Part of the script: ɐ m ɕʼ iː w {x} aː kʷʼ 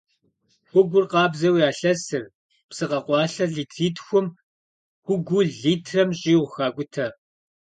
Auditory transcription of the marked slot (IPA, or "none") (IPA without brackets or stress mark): x